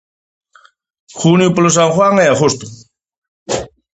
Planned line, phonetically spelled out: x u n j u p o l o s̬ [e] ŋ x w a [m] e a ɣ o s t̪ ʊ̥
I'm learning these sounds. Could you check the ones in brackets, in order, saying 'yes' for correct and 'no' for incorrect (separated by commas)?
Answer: no, no